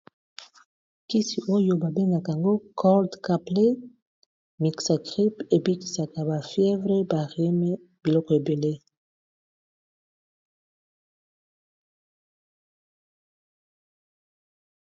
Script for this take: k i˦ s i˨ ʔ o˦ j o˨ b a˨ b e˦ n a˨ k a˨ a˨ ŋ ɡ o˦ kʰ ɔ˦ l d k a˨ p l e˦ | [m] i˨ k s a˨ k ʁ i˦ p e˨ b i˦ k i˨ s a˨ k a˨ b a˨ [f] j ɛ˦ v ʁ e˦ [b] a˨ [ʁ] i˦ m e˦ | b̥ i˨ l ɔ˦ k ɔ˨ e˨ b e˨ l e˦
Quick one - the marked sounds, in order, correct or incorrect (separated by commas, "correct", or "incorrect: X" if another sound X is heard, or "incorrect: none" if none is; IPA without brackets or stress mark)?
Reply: correct, correct, correct, correct